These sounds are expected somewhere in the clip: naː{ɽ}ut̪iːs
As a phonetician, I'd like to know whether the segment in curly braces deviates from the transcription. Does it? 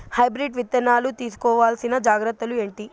yes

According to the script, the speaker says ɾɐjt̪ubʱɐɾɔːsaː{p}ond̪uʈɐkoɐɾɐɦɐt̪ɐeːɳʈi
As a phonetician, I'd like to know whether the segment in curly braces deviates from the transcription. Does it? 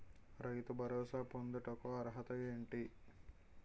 no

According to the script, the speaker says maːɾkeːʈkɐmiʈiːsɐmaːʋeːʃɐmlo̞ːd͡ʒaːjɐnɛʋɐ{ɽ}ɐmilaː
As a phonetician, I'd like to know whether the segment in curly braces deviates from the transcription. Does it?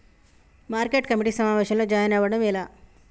no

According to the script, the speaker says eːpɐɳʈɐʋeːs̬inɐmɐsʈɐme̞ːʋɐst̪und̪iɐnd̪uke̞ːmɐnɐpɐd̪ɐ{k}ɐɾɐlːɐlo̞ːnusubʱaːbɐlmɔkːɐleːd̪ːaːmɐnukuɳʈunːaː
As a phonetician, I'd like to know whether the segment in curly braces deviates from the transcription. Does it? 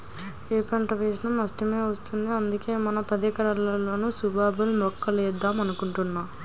no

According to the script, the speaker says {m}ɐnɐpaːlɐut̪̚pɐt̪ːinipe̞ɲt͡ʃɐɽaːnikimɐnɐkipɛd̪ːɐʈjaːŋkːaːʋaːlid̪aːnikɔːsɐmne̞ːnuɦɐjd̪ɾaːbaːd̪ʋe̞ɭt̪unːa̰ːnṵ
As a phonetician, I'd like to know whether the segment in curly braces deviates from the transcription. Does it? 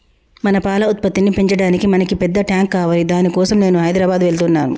no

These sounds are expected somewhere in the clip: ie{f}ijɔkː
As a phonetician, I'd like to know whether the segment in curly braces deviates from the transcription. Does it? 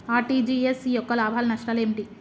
yes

